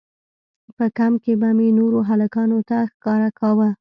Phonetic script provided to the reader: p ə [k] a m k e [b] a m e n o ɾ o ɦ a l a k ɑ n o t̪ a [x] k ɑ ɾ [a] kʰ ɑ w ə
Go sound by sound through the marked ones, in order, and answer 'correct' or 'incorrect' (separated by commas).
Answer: correct, correct, correct, correct